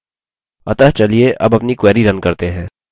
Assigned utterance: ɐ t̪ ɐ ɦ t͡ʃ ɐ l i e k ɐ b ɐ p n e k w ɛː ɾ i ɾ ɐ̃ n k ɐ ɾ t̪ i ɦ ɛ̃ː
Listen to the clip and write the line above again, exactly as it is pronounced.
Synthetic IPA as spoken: ɐ t̪ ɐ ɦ t͡ʃ ɐ l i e ʔ ɐ b ɐ p n i k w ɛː ɾ i ɾ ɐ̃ n k ɐ ɾ t̪ e ɦ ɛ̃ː